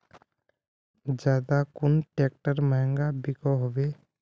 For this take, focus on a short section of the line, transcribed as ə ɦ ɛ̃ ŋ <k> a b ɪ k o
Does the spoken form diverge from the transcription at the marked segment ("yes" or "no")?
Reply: yes